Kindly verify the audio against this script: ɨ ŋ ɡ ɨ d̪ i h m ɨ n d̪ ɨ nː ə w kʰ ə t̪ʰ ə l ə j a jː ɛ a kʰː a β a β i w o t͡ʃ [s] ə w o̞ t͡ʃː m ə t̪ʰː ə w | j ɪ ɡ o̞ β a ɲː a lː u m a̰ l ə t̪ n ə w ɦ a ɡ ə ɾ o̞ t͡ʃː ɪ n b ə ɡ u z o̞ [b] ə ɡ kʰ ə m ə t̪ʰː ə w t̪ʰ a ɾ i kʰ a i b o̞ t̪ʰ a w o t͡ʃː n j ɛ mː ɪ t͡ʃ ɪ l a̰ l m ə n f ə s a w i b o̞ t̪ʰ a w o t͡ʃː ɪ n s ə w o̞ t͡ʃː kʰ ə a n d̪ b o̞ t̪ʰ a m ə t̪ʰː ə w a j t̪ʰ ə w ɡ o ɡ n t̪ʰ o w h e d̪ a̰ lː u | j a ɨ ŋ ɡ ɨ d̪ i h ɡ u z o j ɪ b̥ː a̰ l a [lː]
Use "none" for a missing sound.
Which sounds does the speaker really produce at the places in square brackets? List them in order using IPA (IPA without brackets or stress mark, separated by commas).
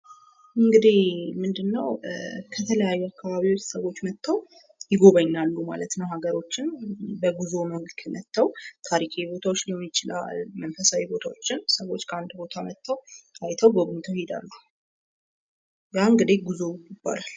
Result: s, m, l